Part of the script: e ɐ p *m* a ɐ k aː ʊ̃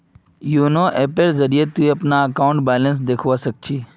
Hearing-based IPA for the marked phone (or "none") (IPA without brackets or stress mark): n